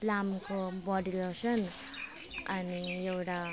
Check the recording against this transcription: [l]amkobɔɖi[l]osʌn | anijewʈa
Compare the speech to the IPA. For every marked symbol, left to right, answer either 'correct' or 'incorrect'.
correct, correct

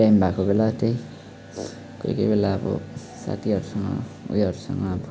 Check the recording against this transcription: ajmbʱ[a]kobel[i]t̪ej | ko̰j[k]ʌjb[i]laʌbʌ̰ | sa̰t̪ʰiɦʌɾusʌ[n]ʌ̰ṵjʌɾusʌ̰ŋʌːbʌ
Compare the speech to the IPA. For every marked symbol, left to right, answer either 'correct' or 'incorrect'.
correct, incorrect: a, correct, incorrect: e, incorrect: ŋ

